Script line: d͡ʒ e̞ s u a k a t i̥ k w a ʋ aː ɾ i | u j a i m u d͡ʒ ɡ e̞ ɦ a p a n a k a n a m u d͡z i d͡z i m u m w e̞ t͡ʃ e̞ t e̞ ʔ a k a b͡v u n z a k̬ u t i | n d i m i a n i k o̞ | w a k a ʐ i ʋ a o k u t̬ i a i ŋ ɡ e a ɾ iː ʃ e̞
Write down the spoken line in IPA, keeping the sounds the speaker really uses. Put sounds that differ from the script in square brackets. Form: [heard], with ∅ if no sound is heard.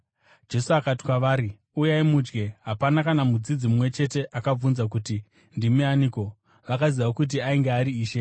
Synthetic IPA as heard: d͡ʒ e̞ s u a k a t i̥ k w a ʋ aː ɾ i | u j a i m u d͡ʒ ɡ e̞ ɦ a p a n a k a n a m u d͡z i d͡z i m u m w e̞ t͡ʃ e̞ t e̞ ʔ a k a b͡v u n z a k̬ u t i | n d i m i a n i k o̞ | [ʋ] a k a [z] i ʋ a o k u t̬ i a i ŋ ɡ e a ɾ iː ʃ e̞

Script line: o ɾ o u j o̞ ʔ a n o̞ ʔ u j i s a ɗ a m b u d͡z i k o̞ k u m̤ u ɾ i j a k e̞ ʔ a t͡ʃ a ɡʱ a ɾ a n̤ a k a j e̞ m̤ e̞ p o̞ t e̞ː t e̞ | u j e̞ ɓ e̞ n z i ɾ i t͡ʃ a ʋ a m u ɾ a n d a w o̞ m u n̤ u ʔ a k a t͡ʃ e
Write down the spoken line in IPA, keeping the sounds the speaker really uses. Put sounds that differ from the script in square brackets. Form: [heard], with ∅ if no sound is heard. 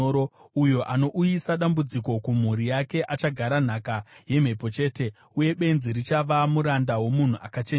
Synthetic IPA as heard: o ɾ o u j o̞ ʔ a n o̞ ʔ u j i s a ɗ a m b u d͡z i k o̞ k u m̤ u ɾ i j a k e̞ ʔ a t͡ʃ a ɡʱ a ɾ a n̤ a k a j e̞ m̤ e̞ p o̞ [t͡ʃ] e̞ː t e̞ | u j e̞ ɓ e̞ n z i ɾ i t͡ʃ a ʋ a m u ɾ a n d a w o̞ m u n̤ u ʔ a k a t͡ʃ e

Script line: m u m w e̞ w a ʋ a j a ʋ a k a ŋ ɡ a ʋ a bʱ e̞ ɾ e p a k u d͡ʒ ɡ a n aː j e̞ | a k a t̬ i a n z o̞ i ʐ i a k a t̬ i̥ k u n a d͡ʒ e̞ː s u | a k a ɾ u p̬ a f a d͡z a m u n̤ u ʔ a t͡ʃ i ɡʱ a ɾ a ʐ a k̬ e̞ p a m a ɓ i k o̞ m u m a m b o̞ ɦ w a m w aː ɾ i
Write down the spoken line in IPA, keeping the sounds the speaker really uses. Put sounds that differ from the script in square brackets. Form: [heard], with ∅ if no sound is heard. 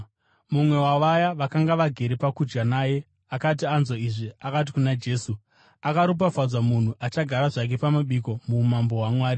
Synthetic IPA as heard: m u m w e̞ w a ʋ a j a ʋ a k a ŋ ɡ a ʋ a [ɡʱ] e̞ ɾ e p a k u d͡ʒ ɡ a n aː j e̞ | a k a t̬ i a n z o̞ i ʐ i a k a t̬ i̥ k u n a d͡ʒ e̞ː s u | a k a ɾ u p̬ a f a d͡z a m u n̤ u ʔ a t͡ʃ [a] ɡʱ a ɾ a ʐ a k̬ e̞ p a m a ɓ i k o̞ m u m a m b o̞ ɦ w a m w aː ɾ i

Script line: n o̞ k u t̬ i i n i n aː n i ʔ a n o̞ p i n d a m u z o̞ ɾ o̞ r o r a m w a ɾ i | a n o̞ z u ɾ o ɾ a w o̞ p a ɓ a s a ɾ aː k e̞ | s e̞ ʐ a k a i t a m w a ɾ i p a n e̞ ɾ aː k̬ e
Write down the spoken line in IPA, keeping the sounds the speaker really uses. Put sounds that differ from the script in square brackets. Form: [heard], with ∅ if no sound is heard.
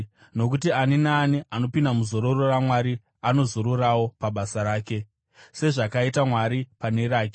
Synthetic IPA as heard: n o̞ k u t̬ i [a] n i n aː n i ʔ a n o̞ p i n d a m u z o̞ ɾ o̞ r o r a m w a ɾ i | a n o̞ z [o] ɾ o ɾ a w o̞ p a ɓ a s a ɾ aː k e̞ | s e̞ ʐ a k a i t a m w a ɾ i p a n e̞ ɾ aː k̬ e

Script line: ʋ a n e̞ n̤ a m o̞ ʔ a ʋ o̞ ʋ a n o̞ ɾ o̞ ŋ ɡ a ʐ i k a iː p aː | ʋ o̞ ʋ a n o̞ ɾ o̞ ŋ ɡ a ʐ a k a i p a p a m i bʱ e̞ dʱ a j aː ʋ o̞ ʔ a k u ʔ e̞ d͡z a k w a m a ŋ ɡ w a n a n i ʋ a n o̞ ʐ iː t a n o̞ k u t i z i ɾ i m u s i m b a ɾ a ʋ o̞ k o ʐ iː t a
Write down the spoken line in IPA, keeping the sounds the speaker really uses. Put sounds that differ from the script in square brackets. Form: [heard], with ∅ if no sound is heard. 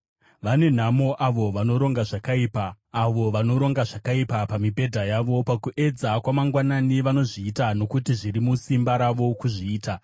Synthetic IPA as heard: ʋ a n e̞ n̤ a m o̞ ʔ a ʋ o̞ ʋ a n o̞ ɾ o̞ ŋ ɡ a ʐ [a] k a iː p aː | ʋ o̞ ʋ a n o̞ ɾ o̞ ŋ ɡ a ʐ a k a i p a p a m i bʱ e̞ dʱ a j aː ʋ o̞ [p] a k u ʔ e̞ d͡z a k w a m a ŋ ɡ w a n a n i ʋ a n o̞ ʐ iː t a n o̞ k u t i [ʐ] i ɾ i m u s i m b a ɾ a ʋ o̞ k [u] ʐ iː t a

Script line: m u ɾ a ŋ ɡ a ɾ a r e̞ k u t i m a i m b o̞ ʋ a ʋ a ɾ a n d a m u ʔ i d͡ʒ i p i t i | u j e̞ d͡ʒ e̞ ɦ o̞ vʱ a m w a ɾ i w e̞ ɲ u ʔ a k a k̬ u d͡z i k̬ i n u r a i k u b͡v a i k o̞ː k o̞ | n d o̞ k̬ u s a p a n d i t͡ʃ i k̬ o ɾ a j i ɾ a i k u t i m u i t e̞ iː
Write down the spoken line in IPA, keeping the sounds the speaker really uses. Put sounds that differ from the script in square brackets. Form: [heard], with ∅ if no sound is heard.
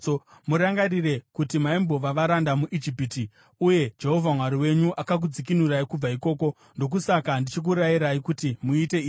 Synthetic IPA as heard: m u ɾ a ŋ ɡ a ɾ [i] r e̞ k u t i m a i m b o̞ ʋ a ʋ a ɾ a n d a m u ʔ i d͡ʒ i p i t i | u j e̞ d͡ʒ e̞ ɦ o̞ vʱ a m w a ɾ i w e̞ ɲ u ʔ a k a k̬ u d͡z i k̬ i n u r a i k u b͡v a i k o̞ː k o̞ | n d o̞ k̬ u s a [k] a n d i t͡ʃ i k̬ [u] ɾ a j i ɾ a i k u t i m u i t e̞ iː

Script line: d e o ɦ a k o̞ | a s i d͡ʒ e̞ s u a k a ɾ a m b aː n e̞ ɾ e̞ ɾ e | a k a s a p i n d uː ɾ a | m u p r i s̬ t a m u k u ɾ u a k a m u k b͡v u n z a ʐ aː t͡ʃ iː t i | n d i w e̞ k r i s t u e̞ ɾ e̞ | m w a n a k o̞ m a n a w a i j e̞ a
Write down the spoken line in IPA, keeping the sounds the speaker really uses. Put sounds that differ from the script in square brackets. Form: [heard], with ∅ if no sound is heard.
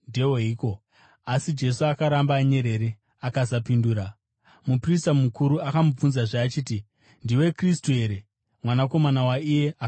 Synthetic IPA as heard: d e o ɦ [i] k o̞ | a s i d͡ʒ e̞ s u a k a ɾ a m b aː [ɲ] e̞ ɾ e̞ ɾ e | a k a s a p i n d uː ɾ a | m u p r i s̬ t a m u k u ɾ u a k a m u [∅] b͡v u n z a ʐ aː t͡ʃ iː t i | n d i w e̞ k r i s t u e̞ ɾ e̞ | m w a n a k o̞ m a n a w a i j e̞ a

